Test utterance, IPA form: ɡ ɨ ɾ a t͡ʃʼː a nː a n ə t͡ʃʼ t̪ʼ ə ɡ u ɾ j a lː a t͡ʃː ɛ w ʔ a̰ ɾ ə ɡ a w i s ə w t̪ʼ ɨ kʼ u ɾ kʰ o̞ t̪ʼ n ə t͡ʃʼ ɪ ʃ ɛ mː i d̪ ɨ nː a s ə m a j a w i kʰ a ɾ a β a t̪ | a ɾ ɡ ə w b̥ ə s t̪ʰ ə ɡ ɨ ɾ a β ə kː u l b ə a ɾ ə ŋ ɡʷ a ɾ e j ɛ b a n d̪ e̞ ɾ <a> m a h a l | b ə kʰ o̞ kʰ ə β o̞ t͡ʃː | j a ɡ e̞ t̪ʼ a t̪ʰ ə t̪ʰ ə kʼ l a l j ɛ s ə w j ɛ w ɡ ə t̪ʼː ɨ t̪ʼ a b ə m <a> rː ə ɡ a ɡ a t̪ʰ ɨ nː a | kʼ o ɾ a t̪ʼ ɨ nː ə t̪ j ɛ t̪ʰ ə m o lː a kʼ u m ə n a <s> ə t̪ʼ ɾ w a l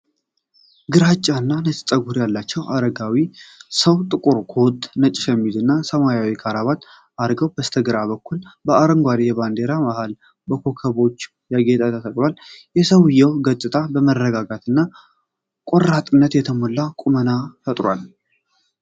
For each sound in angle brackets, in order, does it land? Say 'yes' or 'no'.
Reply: yes, no, no

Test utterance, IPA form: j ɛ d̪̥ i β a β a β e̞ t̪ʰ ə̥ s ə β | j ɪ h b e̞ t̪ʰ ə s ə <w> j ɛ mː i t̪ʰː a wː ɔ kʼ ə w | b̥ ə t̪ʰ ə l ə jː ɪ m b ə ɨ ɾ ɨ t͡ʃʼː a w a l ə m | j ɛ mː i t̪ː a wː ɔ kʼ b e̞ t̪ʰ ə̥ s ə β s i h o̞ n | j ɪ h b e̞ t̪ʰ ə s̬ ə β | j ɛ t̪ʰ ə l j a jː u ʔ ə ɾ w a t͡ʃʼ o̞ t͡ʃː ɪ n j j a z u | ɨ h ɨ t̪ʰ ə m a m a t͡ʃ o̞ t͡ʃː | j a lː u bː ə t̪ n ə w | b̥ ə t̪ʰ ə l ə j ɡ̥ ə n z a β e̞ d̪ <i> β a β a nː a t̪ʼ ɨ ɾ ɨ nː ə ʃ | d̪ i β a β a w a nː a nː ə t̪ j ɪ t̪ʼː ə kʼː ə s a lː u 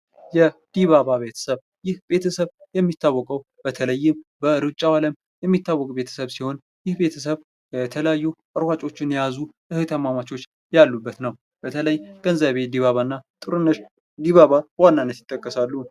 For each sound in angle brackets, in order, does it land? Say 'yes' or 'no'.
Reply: no, yes

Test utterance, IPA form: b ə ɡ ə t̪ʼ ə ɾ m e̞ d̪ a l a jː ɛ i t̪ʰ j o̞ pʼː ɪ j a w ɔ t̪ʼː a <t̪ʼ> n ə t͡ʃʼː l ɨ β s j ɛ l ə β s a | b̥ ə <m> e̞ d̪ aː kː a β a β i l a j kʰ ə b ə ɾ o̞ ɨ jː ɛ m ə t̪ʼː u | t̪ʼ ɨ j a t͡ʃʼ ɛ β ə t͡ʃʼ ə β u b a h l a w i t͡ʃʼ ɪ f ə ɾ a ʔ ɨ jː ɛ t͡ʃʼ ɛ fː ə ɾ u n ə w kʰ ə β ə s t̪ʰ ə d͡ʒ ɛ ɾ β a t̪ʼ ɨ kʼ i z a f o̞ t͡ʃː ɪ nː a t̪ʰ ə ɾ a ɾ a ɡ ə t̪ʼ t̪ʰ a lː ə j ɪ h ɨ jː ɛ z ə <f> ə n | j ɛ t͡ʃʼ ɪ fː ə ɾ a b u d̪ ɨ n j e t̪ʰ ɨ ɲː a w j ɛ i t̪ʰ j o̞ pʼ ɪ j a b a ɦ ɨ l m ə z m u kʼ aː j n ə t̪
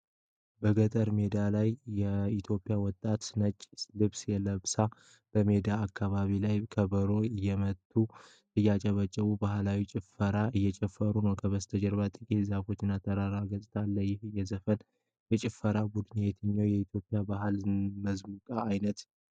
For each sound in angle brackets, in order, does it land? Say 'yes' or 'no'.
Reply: no, yes, yes

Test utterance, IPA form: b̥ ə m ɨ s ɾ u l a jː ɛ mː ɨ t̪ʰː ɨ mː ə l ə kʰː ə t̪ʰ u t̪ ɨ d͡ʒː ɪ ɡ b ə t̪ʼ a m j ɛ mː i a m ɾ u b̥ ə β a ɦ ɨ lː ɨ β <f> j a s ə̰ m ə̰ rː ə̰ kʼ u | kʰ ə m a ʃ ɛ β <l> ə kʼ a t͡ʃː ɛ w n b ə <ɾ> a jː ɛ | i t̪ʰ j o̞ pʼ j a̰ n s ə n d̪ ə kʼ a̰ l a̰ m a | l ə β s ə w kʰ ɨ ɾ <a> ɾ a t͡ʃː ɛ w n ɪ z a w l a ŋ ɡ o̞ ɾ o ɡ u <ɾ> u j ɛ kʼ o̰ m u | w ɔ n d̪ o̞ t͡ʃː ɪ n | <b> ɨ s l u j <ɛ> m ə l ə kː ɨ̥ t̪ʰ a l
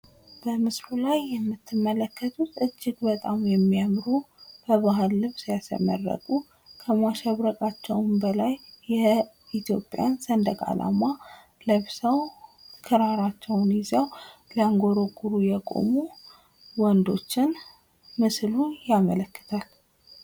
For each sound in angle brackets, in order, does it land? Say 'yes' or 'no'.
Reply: no, no, no, yes, yes, no, no

